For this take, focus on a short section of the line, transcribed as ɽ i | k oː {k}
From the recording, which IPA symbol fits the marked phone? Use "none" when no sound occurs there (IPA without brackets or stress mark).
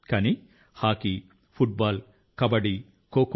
k